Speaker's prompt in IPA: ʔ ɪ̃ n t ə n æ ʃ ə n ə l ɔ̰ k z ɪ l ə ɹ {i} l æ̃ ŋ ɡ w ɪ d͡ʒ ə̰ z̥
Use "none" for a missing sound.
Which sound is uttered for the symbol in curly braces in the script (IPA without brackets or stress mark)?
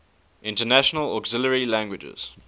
i